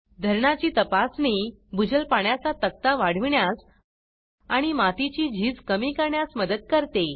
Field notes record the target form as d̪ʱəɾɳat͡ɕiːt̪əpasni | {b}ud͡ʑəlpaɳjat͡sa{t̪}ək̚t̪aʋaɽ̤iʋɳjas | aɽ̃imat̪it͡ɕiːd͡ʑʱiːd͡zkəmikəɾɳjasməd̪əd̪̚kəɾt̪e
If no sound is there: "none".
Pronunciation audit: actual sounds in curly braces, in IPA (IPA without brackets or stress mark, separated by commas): b, t̪